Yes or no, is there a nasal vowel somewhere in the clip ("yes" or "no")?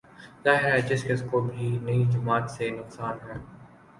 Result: no